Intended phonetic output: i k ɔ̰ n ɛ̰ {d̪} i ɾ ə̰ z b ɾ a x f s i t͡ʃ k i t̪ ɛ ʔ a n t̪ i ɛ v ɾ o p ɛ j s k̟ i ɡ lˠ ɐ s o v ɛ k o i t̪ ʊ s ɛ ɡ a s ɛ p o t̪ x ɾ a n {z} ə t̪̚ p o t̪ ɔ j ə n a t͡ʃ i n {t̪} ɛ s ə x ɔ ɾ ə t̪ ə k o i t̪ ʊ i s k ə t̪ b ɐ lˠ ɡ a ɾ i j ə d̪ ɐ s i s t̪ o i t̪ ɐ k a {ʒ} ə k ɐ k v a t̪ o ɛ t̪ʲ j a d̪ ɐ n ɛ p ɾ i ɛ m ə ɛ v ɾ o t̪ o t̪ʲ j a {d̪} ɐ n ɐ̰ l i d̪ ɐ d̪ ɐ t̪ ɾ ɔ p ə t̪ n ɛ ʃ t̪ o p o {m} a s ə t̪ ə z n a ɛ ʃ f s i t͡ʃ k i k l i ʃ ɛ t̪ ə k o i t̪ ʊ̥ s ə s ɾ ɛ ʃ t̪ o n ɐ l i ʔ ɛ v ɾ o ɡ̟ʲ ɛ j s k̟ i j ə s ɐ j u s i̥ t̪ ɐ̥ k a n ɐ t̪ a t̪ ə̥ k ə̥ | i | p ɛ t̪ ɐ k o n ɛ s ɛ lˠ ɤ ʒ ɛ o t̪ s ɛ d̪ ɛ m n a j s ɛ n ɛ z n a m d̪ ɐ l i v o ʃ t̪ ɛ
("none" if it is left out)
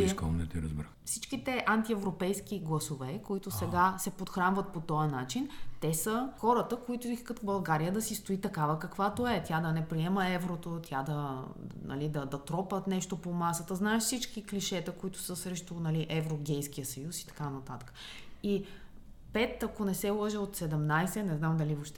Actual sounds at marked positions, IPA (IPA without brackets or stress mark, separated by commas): t̪, v, t̪, v, d̪, m